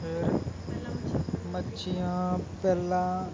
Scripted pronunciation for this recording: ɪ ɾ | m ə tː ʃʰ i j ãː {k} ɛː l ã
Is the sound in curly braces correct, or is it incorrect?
incorrect